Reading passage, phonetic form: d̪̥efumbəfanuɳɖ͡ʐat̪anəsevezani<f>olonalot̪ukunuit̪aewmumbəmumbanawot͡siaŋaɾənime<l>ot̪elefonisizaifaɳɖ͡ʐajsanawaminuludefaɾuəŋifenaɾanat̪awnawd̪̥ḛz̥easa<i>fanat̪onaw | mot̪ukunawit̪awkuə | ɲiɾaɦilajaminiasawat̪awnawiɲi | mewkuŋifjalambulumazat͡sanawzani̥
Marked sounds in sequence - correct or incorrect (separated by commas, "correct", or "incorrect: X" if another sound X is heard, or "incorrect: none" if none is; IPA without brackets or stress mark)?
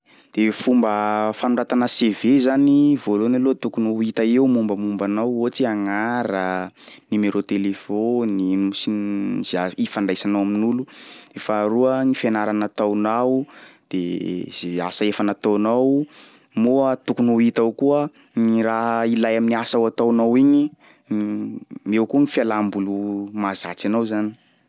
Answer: incorrect: v, incorrect: ɾ, incorrect: e